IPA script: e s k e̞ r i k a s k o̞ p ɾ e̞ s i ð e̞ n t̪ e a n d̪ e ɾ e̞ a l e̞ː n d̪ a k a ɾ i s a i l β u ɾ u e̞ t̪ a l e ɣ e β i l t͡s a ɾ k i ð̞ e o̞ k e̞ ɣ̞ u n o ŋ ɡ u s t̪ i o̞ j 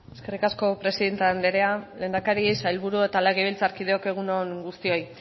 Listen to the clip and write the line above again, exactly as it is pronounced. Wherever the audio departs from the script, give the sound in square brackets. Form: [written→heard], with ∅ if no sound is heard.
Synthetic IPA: e s k e̞ r i k a s k o̞ p ɾ e̞ s i ð e̞ n t̪ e a n d̪ e ɾ e̞ a l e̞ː n d̪ a k a ɾ i s a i l β u ɾ u e̞ t̪ a l e ɣ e β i l t͡s a ɾ k i ð̞ e o̞ k e̞ ɣ̞ u n o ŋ ɡ u s t̪ i o̞ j